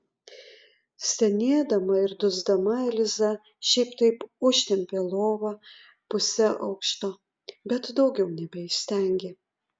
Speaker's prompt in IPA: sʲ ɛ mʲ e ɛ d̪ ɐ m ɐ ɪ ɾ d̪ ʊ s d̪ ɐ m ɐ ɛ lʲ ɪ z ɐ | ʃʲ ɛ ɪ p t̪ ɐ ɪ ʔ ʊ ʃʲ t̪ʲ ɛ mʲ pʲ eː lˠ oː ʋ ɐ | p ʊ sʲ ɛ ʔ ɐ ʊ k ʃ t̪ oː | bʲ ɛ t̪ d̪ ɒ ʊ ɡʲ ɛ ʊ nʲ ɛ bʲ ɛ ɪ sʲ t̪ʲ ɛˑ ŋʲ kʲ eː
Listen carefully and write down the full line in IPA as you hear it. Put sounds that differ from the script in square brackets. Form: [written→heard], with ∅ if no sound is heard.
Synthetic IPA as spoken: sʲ ɛ [mʲ→nʲ] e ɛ d̪ ɐ m ɐ ɪ ɾ d̪ ʊ [s→z] d̪ ɐ m ɐ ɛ lʲ ɪ z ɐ | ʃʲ ɛ ɪ p t̪ ɐ ɪ [ʔ→p] ʊ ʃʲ t̪ʲ ɛ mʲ pʲ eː lˠ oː ʋ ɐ | p ʊ sʲ ɛ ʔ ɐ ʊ k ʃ t̪ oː | bʲ ɛ t̪ d̪ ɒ ʊ ɡʲ ɛ ʊ nʲ ɛ bʲ ɛ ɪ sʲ t̪ʲ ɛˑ ŋʲ [kʲ→ɡʲ] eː